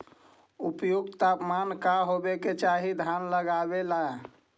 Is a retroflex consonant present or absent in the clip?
absent